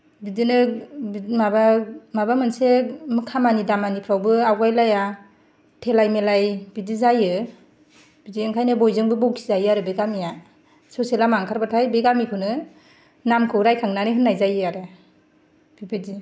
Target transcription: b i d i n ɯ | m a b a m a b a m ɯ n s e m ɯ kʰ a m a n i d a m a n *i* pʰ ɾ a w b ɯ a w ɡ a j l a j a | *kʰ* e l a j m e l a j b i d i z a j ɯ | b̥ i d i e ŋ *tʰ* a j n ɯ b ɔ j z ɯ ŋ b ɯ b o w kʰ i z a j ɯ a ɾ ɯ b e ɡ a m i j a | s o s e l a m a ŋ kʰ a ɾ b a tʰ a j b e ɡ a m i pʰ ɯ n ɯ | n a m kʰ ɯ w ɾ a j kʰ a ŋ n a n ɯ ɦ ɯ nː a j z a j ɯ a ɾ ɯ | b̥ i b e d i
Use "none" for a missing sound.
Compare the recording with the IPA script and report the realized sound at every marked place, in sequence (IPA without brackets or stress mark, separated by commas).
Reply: i, tʰ, kʰ